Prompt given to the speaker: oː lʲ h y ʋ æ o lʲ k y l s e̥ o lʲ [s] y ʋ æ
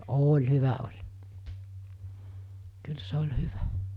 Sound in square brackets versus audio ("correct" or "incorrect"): incorrect